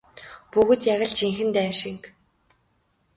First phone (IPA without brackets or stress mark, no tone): p